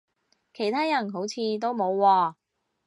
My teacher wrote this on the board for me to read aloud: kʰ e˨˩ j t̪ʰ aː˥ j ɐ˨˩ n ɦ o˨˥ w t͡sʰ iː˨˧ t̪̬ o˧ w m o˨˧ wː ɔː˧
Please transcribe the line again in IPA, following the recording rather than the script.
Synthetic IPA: kʰ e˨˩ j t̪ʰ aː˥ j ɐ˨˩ n ɦ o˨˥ w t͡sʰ iː˨˧ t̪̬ o˥ w m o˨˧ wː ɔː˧

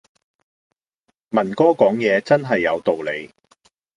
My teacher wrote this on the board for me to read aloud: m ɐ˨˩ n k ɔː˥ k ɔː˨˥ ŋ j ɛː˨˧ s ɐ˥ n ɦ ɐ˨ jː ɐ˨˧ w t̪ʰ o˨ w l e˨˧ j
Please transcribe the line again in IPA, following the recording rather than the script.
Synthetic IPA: m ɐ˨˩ n k ɔː˥ k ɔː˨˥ ŋ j ɛː˨˧ t͡s ɐ˥ n ɦ ɐ˨ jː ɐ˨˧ w t̪ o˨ w l e˨˧ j

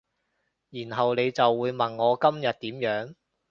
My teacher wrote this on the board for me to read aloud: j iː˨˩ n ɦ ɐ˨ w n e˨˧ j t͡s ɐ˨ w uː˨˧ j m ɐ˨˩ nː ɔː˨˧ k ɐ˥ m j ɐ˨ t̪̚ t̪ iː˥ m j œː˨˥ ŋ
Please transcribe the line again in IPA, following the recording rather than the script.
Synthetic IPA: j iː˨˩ n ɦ ɐ˨ w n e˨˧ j t͡s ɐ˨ wː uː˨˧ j m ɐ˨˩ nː ɔː˨˧ k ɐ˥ m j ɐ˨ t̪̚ t̪ iː˨˥ m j œː˨˥ ŋ

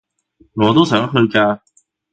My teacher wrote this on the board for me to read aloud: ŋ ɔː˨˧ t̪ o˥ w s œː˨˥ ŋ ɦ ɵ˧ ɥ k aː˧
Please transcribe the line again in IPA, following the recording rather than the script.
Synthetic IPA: ŋ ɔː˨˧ t̪ o˥ w s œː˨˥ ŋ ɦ ɵ˧ ɥ k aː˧

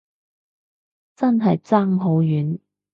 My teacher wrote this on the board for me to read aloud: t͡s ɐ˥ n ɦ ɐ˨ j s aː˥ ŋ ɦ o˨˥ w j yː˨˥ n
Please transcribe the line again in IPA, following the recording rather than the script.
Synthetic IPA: t͡s ɐ˥ n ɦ ɐ˨ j t͡s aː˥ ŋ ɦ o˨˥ w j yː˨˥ n

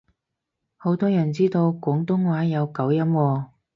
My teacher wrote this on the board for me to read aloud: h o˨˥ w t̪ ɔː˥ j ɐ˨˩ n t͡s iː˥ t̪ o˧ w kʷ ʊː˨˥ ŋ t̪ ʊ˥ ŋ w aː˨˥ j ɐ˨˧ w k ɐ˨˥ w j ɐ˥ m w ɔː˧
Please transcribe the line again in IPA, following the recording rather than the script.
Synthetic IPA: h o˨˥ w t̪ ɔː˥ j ɐ˨˩ n t͡s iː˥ t̪ o˧ w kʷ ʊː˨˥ ŋ t̪ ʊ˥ ŋ w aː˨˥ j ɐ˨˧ w k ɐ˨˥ w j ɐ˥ m w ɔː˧

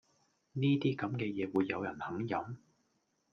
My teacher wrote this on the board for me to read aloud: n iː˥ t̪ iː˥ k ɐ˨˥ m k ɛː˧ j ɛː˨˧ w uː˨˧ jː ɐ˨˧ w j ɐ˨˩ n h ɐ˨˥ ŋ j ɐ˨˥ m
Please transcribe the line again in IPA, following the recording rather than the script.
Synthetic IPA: n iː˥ t̪ iː˥ k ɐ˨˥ m k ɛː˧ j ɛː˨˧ w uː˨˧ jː ɐ˨˧ w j ɐ˨˩ n h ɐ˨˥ ŋ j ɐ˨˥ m

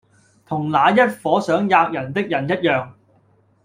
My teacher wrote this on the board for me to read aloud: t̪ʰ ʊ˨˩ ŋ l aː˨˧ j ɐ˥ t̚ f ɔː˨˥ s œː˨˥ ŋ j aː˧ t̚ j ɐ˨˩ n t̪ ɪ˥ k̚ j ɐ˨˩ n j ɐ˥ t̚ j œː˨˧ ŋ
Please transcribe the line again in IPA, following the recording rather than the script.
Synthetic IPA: t̪ʰ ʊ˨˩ ŋ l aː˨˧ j ɐ˥ t̚ f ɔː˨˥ s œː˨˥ ŋ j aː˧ k̚ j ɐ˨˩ n t̪ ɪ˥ k̚ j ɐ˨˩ n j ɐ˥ t̚ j œː˨˧ ŋ

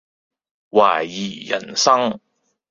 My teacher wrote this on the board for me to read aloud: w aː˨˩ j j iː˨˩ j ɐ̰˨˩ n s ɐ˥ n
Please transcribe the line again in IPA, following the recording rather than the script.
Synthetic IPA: w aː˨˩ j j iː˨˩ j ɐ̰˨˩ n s ɐ˥ ŋ

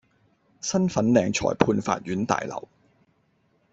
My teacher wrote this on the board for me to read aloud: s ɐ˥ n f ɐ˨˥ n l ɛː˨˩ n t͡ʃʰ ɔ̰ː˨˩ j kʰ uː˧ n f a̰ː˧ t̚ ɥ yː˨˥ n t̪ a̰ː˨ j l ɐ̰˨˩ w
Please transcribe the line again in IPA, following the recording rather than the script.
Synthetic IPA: s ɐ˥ n f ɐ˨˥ n l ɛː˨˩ ŋ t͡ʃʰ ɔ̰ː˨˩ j pʰ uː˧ n f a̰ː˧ t̚ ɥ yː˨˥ n t̪ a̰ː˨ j l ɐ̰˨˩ w

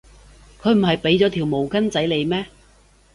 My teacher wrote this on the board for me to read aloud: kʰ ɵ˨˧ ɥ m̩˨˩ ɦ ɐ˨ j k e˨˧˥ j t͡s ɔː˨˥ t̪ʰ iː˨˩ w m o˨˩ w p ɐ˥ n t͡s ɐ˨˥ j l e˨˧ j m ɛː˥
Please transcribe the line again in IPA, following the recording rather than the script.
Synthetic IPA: kʰ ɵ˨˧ ɥ m̩˨˩ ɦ ɐ˨ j p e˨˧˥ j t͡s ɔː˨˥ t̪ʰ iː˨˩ w m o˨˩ w k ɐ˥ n t͡s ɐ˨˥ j l e˨˧ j m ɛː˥

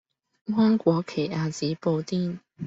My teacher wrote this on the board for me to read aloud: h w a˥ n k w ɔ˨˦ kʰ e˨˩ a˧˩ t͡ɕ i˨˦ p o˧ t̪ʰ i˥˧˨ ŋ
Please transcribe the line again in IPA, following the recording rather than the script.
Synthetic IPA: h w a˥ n k w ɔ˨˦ kʰ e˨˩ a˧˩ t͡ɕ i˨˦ p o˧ t̪ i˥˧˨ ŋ

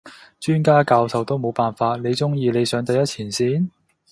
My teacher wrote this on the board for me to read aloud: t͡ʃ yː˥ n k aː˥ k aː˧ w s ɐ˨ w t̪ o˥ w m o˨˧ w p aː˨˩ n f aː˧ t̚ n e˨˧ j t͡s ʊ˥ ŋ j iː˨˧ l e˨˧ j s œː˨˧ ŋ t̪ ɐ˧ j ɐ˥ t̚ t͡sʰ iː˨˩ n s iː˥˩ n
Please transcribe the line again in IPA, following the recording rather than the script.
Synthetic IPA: t͡ʃ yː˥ n k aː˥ k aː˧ w s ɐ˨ w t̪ o˥ w m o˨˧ w p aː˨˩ n f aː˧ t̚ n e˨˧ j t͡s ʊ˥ ŋ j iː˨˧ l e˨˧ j s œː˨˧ ŋ t̪ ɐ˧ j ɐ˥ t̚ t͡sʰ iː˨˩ n s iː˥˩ n

